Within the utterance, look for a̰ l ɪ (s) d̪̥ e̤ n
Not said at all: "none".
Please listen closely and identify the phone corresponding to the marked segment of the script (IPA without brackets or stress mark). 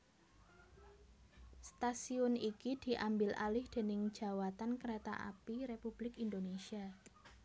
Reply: h